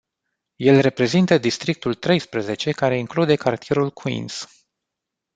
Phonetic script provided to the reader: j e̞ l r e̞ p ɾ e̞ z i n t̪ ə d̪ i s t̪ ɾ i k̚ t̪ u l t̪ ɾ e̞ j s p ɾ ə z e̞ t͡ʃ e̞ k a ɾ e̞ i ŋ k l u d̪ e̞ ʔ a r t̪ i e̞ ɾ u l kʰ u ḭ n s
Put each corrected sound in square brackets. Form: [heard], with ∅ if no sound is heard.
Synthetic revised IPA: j e̞ l r e̞ p ɾ e̞ z i n t̪ ə d̪ i s t̪ ɾ i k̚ t̪ u l t̪ ɾ e̞ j s p ɾ ə z e̞ t͡ʃ e̞ k a ɾ e̞ i ŋ k l u d̪ e̞ [k] a r t̪ i e̞ ɾ u l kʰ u ḭ n s

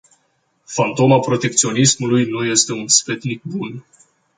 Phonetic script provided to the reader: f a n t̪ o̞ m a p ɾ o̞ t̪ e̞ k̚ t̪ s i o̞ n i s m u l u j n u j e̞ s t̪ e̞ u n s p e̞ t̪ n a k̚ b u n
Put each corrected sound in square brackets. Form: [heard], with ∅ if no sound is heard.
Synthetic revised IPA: f a n t̪ o̞ m a p ɾ o̞ t̪ e̞ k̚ t̪ s i o̞ n i s m u l u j n u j e̞ s t̪ e̞ u n s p e̞ t̪ n [i] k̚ b u n

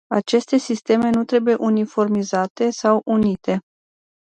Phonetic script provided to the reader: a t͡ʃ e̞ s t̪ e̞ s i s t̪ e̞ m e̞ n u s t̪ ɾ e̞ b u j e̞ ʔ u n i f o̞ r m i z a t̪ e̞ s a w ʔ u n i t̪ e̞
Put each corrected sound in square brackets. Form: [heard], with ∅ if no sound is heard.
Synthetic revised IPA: a t͡ʃ e̞ s t̪ e̞ s i s t̪ e̞ m e̞ n u [∅] t̪ ɾ e̞ b u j e̞ ʔ u n i f o̞ r m i z a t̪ e̞ s a w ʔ u n i t̪ e̞

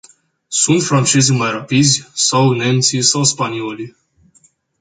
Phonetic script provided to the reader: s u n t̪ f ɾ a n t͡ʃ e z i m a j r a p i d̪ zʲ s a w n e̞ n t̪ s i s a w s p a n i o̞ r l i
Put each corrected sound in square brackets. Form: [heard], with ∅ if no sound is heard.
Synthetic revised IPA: s u n t̪ f ɾ a n t͡ʃ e z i m a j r a p i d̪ zʲ s a w n e̞ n t̪ s i s a w s p a n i o̞ [∅] l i

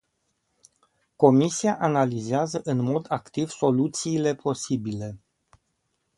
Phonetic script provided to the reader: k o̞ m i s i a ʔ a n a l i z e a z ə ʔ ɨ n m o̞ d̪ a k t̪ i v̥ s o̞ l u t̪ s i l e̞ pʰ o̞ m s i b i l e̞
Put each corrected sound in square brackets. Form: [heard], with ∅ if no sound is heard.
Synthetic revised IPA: k o̞ m i s i a ʔ a n a l i z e a z ə ʔ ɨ n m o̞ d̪ a k t̪ i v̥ s o̞ l u t̪ s [iː] l e̞ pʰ o̞ [∅] s i b i l e̞

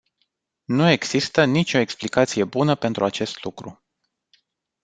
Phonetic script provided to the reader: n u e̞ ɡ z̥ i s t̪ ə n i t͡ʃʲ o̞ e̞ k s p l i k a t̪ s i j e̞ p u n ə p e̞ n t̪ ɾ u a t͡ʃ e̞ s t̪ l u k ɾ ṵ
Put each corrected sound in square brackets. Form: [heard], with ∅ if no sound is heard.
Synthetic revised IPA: n u e̞ ɡ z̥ i s t̪ ə n i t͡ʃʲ o̞ e̞ k s p l i k a t̪ s i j e̞ [b] u n ə p e̞ n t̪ ɾ u a t͡ʃ e̞ s t̪ l u k ɾ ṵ

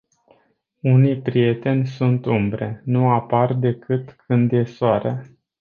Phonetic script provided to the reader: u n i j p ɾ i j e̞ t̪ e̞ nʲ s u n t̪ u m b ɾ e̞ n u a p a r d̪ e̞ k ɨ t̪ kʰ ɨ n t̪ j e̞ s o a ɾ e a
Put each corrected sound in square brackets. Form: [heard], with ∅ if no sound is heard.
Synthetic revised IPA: u n i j p ɾ i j e̞ t̪ e̞ nʲ s u n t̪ u m b ɾ e̞ n u a p a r d̪ e̞ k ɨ t̪ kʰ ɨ n [d̪] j e̞ s o a ɾ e a

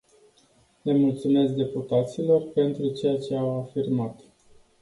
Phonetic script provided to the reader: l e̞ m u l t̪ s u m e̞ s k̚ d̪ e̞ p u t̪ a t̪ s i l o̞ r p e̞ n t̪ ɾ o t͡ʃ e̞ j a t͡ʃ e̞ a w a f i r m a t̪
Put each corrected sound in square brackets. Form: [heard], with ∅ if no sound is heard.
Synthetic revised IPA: l e̞ m u l t̪ s u m e̞ s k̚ d̪ e̞ p u t̪ a t̪ s i l o̞ r p e̞ n t̪ ɾ [u] t͡ʃ e̞ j a t͡ʃ e̞ a w a f i r m a t̪

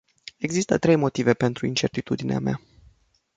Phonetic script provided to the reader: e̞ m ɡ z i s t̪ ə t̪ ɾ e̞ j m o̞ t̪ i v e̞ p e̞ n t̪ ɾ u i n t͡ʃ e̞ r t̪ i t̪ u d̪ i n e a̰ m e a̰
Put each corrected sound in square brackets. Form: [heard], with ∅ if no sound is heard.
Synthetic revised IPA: e̞ [∅] ɡ z i s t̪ ə t̪ ɾ e̞ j m o̞ t̪ i v e̞ p e̞ n t̪ ɾ u i n t͡ʃ e̞ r t̪ i t̪ u d̪ i n e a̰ m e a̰

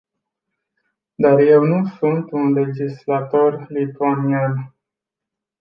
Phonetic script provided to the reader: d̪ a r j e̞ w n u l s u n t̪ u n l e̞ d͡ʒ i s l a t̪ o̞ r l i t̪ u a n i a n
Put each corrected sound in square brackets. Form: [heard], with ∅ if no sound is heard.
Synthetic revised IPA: d̪ a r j e̞ w n u [∅] s u n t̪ u n l e̞ d͡ʒ i s l a t̪ o̞ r l i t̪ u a n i a n

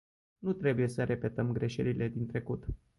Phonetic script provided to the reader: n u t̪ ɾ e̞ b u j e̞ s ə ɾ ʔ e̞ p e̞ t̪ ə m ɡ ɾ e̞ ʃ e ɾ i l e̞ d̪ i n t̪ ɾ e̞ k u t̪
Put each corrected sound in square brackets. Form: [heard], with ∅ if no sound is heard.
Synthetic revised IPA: n u t̪ ɾ e̞ b u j e̞ s ə ɾ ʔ e̞ p e̞ t̪ ə m ɡ ɾ e̞ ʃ e ɾ i l e̞ d̪ i n t̪ ɾ e̞ k u t̪

